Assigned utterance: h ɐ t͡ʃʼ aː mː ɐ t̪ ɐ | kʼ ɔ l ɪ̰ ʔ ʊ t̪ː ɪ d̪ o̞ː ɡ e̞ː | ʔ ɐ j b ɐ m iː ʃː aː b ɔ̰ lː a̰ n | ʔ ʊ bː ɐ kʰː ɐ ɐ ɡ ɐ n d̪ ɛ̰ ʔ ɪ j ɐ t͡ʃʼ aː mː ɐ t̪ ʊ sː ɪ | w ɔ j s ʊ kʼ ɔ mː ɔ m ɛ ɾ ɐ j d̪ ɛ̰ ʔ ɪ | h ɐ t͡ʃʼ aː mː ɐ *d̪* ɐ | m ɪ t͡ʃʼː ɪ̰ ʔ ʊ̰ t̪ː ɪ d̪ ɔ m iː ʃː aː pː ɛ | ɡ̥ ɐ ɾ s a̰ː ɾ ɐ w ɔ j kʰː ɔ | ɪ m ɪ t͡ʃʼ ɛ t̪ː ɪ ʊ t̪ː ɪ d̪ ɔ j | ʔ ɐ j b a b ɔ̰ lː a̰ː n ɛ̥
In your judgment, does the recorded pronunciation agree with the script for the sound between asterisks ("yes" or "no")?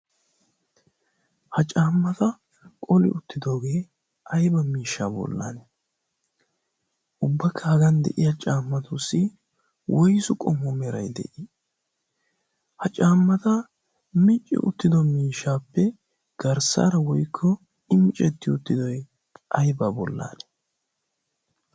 no